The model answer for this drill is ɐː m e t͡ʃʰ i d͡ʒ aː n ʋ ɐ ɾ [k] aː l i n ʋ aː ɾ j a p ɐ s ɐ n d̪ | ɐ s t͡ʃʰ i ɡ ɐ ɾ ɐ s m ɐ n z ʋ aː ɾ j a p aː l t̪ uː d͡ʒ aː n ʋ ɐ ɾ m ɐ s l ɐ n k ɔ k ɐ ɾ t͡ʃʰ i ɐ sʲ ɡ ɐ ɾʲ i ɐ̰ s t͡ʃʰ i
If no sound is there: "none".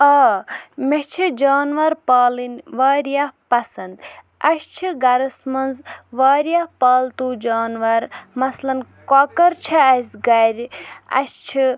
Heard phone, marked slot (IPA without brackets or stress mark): p